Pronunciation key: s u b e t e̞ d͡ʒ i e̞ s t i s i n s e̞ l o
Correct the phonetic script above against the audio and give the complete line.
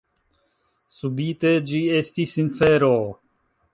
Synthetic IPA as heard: s u b i t e̞ d͡ʒ i e̞ s t i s i n f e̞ ɾ o